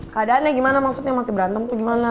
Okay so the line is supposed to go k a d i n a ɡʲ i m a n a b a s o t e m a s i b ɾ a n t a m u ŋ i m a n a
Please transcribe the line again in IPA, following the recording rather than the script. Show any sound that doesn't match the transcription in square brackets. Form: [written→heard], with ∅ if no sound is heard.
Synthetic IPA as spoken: k a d [i→a] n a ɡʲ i m a n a [b→m] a s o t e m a s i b ɾ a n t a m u [ŋ→ɡ] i m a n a